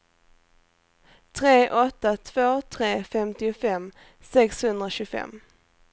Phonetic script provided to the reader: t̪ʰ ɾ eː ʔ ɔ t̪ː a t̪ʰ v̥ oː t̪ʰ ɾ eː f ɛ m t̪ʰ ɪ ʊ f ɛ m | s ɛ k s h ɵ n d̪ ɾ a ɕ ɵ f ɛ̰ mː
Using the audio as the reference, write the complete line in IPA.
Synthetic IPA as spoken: t̪ʰ ɾ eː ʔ ɔ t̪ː a t̪ʰ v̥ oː t̪ʰ ɾ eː f ɛ m t̪ ɪ ʊ f ɛ m | s ɛ k s h ɵ n d̪ ɾ a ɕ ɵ f ɛ̰ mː